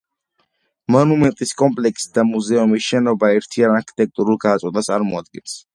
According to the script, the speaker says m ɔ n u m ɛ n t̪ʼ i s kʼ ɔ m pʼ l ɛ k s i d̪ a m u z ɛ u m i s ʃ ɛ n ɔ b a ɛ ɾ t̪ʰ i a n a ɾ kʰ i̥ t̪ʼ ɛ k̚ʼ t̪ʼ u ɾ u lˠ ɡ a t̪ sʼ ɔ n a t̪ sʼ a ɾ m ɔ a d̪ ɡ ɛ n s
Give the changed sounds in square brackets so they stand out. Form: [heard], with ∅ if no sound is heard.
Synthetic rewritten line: m ɔ n u m ɛ n t̪ʼ i s kʼ ɔ m pʼ l ɛ k s i d̪ a m u z ɛ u m i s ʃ ɛ n ɔ b a ɛ ɾ t̪ʰ i a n a ɾ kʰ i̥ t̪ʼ ɛ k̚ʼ t̪ʼ u ɾ u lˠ ɡ a t̪ sʼ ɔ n a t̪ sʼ a ɾ m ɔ a d̪ ɡ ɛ n s